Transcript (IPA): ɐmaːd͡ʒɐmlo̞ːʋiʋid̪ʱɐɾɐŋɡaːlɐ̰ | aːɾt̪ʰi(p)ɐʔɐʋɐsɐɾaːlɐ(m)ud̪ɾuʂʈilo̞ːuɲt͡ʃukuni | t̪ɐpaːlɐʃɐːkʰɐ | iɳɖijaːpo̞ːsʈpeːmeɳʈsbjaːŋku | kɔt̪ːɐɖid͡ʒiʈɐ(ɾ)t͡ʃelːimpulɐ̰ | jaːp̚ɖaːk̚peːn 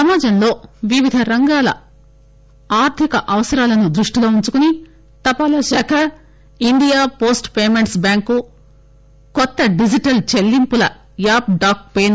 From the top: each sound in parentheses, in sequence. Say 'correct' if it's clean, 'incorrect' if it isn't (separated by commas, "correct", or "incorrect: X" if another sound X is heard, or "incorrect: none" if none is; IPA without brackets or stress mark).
incorrect: k, incorrect: n, incorrect: l